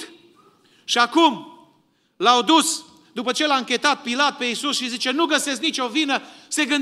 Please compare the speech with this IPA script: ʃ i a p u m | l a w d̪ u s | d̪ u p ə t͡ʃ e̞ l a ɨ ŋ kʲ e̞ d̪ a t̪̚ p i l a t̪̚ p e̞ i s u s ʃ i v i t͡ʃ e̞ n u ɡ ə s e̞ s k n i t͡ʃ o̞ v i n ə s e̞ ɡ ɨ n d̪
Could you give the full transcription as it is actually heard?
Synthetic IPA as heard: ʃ i a k u m | l a w d̪ u s | d̪ u p ə t͡ʃ e̞ l a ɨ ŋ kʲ e̞ t̪ a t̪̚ p i l a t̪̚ p e̞ i s u s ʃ i z i t͡ʃ e̞ n u ɡ ə s e̞ s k n i t͡ʃ o̞ v i n ə s e̞ ɡ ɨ n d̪